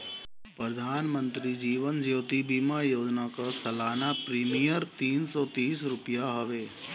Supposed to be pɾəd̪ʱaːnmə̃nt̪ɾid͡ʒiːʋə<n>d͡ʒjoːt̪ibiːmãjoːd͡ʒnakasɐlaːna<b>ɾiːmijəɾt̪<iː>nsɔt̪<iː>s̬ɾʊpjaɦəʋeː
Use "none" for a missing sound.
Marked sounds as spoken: n, p, iː, iː

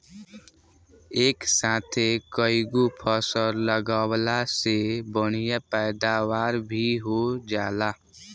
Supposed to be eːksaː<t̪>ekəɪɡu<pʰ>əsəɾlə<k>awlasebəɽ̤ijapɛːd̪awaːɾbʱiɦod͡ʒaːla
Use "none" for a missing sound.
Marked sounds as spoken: t̪ʰ, pʰ, ɡ

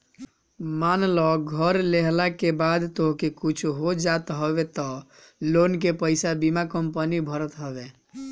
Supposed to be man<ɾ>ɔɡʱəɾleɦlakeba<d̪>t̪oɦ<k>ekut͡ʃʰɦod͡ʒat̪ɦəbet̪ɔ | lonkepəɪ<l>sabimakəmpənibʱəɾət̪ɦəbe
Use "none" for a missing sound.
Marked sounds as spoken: l, d̪, k, none

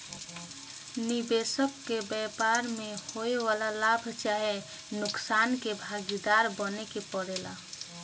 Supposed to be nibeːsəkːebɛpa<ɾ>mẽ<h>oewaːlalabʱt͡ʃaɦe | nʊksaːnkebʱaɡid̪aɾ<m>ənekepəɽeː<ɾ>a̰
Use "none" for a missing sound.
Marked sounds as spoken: ɾ, h, b, l

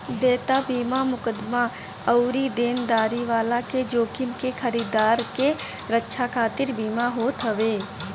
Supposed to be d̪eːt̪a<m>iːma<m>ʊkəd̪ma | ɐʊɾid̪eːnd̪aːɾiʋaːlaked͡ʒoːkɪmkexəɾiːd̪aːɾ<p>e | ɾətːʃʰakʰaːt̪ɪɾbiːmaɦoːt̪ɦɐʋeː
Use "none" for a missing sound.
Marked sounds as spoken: b, m, k

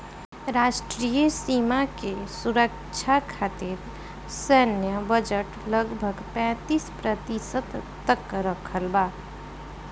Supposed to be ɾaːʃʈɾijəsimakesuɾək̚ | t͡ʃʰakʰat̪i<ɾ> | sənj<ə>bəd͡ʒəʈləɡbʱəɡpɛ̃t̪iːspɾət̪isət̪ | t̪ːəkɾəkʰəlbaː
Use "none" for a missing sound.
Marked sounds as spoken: ɾ, ə

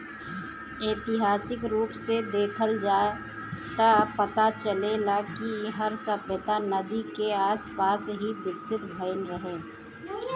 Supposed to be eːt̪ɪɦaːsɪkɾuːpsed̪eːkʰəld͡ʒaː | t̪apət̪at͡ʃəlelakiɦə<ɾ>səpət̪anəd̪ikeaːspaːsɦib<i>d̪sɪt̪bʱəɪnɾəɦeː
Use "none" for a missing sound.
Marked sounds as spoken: ɾ, ɪ

